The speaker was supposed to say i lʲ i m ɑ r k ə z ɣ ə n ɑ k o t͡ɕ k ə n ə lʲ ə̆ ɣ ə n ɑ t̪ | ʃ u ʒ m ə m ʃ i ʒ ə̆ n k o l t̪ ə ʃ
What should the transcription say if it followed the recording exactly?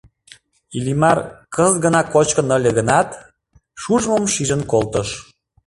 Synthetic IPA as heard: i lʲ i m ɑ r k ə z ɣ ə n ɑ k o t͡ɕ k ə n ə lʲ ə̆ ɣ ə n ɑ t̪ | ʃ u ʒ m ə m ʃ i ʒ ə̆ n k o l t̪ ə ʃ